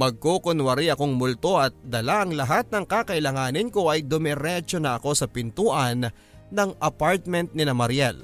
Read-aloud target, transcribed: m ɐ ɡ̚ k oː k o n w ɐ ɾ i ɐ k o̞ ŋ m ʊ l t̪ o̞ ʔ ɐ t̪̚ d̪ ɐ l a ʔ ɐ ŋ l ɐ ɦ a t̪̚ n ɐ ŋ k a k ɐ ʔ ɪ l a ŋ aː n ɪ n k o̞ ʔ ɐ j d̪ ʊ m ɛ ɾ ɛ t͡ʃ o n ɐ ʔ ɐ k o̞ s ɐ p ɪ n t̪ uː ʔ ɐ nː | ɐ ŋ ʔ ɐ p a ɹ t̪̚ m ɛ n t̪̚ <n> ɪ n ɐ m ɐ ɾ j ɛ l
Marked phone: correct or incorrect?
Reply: correct